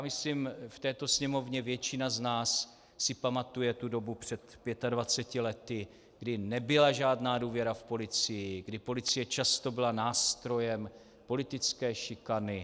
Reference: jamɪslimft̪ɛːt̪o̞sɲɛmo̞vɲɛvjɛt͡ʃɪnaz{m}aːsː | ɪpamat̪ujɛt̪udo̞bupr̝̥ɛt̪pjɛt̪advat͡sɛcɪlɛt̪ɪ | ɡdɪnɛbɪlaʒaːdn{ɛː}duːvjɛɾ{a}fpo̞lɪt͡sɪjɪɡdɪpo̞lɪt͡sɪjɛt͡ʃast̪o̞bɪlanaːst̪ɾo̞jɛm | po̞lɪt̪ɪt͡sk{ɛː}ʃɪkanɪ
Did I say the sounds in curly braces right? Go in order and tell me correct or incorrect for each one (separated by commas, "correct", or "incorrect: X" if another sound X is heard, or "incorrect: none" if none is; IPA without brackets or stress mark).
incorrect: n, incorrect: aː, correct, correct